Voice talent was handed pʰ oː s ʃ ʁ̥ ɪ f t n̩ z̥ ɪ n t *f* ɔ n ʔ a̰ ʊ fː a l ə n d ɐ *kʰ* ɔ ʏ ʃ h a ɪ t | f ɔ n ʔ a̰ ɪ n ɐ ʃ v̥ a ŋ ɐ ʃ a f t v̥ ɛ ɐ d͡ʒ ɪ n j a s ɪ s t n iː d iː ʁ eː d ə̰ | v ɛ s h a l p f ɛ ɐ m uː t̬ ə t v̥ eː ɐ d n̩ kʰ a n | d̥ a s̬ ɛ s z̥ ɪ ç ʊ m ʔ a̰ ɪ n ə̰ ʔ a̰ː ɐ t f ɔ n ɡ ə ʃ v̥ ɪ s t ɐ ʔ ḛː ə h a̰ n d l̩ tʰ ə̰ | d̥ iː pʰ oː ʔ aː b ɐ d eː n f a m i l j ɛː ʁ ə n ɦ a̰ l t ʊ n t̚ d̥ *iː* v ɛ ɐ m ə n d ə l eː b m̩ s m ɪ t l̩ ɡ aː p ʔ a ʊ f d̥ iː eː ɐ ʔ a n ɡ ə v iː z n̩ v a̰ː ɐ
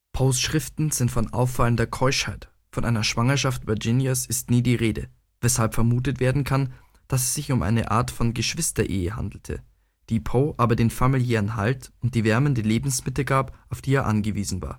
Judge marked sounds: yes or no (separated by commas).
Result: yes, yes, yes